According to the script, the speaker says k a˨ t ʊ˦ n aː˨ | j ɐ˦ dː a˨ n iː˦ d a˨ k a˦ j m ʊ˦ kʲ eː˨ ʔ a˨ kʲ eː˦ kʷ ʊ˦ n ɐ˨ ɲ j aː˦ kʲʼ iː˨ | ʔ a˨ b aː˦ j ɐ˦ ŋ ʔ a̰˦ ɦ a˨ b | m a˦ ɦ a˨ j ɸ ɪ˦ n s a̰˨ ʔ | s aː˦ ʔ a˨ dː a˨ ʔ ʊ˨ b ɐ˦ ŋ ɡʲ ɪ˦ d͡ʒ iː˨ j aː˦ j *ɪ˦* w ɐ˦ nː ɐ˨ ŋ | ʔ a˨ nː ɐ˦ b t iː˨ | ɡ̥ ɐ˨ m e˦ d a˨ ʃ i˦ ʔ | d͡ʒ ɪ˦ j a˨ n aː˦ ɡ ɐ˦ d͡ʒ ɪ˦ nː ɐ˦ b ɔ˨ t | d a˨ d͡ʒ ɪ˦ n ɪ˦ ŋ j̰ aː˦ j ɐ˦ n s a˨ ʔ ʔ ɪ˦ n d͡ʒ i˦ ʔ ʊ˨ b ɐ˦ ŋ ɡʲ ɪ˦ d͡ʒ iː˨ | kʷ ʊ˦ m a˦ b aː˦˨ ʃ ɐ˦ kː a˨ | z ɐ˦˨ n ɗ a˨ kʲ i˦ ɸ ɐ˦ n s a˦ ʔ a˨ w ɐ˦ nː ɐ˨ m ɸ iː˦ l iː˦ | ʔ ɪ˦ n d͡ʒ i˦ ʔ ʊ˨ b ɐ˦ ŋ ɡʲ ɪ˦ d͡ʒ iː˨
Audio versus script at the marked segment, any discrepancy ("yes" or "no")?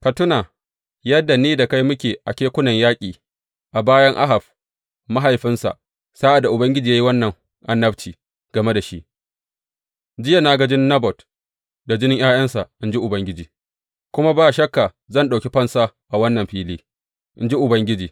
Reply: yes